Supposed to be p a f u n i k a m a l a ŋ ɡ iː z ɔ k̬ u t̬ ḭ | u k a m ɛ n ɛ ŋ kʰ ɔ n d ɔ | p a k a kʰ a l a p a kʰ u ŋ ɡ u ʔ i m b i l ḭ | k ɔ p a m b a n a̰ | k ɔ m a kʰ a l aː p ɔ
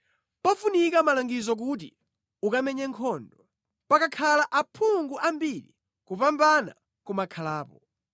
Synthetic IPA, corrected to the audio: p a f u n i k a m a l a ŋ ɡ i z ɔ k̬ u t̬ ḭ | u k a m ɛ ɲ ɛ ŋ kʰ ɔ n d ɔ | p a k a kʰ a l a ʔ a pʰ u ŋ ɡ u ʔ a m b i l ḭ | k u p a m b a n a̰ | k u m a kʰ a l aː p ɔ